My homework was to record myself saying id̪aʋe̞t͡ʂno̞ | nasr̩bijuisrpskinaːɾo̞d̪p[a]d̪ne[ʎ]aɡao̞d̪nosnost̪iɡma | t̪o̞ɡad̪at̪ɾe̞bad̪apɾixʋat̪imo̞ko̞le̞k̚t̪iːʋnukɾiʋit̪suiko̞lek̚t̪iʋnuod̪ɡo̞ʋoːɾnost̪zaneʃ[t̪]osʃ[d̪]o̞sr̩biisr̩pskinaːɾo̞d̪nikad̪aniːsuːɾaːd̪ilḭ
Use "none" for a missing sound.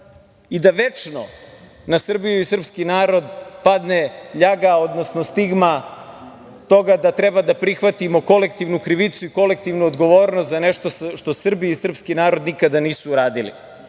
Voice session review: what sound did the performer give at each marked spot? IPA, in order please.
a, ʎ, t̪, t̪

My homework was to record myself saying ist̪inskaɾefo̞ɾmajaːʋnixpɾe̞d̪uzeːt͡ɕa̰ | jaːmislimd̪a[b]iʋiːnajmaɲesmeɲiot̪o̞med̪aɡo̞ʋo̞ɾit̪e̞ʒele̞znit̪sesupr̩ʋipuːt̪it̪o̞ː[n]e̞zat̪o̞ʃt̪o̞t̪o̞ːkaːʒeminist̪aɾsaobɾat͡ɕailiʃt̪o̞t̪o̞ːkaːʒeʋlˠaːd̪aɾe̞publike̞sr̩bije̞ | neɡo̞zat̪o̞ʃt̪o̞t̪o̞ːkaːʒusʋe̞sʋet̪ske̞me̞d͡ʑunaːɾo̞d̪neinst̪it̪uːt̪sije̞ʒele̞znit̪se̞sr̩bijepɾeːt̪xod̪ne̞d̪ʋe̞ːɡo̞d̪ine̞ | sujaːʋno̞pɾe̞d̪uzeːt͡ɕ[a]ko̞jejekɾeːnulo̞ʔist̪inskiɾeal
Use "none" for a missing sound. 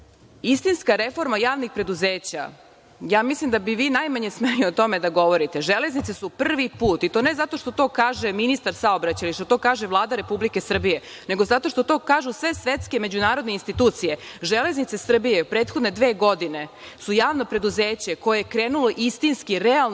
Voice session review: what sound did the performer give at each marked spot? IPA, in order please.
b, n, e

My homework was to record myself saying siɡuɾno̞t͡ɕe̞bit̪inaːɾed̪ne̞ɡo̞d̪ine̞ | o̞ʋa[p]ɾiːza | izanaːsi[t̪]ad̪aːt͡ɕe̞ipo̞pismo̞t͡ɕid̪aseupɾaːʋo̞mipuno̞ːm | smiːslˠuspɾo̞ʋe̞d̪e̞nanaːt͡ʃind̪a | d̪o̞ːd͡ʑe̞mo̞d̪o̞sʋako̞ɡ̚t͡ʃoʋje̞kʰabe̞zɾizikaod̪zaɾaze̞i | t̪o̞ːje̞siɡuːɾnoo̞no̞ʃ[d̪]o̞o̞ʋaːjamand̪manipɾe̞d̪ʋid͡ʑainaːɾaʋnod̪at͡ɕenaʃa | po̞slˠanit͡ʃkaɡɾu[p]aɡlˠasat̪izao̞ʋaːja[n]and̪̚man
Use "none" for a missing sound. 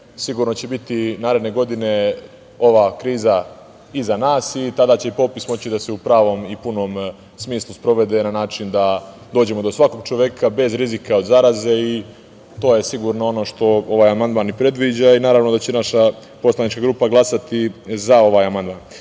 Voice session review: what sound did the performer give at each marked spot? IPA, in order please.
k, t̪, t̪, p, m

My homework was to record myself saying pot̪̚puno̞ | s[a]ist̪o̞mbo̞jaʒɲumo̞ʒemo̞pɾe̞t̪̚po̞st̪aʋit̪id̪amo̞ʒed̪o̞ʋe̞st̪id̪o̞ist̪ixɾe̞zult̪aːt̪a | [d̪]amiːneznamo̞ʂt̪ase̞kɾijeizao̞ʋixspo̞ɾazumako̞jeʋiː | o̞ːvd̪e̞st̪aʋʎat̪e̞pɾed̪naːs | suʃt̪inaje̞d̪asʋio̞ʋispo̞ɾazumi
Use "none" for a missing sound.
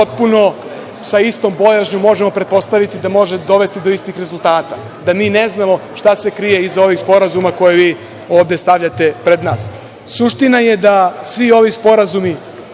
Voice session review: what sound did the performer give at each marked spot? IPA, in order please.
a, d̪

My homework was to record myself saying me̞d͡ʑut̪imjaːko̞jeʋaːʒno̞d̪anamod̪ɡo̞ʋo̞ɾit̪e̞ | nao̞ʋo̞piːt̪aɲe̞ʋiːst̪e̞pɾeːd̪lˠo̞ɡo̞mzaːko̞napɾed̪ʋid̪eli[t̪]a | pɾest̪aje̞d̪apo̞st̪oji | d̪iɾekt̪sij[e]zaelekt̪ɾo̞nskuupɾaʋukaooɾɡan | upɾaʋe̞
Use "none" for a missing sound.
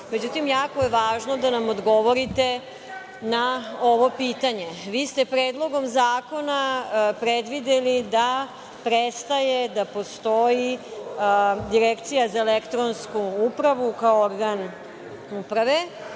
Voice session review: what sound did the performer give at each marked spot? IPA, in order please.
d̪, a

